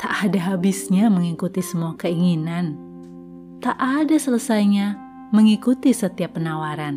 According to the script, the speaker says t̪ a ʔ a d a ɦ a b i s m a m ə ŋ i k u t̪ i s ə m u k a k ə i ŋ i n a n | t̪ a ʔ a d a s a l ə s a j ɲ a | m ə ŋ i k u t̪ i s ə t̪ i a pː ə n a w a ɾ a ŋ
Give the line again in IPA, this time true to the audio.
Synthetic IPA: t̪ a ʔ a d a ɦ a b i s ɲ a m ə ŋ i k u t̪ i s ə m u a k ə i ŋ i n a n | t̪ a ʔ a d a s ə l ə s a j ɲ a | m ə ŋ i k u t̪ i s ə t̪ i a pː ə n a w a ɾ a n